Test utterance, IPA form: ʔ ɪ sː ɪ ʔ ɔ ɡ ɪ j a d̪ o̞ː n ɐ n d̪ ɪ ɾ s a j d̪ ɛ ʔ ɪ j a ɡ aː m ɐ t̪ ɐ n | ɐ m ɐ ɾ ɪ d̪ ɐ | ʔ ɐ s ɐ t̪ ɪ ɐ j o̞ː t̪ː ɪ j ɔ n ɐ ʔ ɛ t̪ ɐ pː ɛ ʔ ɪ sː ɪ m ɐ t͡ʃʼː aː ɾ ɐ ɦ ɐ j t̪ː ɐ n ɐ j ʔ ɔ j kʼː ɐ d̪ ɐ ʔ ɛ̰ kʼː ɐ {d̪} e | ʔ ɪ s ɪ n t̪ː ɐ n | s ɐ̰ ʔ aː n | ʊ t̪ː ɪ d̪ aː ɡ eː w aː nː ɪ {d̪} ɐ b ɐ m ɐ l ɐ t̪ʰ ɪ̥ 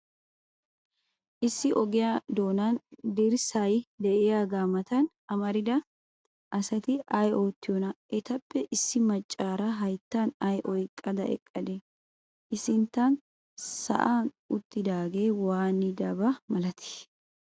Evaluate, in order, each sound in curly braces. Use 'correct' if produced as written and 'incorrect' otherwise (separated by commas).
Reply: correct, correct